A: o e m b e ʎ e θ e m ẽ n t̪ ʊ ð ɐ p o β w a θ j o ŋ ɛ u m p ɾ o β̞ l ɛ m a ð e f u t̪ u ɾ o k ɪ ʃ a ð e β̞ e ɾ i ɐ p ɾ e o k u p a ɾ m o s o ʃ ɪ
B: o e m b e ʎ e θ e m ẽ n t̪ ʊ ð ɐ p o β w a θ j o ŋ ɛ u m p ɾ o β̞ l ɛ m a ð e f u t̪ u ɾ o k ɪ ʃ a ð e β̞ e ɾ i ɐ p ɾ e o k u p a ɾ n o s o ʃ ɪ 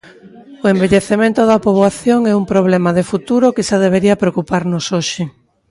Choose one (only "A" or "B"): B